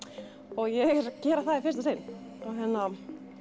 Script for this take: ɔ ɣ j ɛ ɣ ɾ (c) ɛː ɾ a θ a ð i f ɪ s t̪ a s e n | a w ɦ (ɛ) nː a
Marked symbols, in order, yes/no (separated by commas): yes, yes